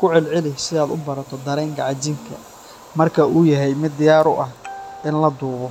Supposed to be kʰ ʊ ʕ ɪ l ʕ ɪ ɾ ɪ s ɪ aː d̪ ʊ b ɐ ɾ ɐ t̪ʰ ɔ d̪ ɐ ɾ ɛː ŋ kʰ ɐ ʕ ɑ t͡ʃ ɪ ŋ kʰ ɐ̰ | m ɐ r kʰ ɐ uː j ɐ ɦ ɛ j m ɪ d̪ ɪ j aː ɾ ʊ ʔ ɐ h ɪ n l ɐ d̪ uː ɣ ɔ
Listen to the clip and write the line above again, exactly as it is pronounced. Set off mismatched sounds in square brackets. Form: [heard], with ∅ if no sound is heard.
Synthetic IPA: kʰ ʊ ʕ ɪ l ʕ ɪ [l] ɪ s ɪ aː d̪ ʊ b ɐ ɾ ɐ t̪ʰ ɔ d̪ ɐ ɾ ɛː ŋ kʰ ɐ ʕ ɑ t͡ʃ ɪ ŋ kʰ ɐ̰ | m ɐ r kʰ ɐ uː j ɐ ɦ ɛ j m ɪ d̪ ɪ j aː ɾ ʊ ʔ ɐ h ɪ n l ɐ d̪ uː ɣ ɔ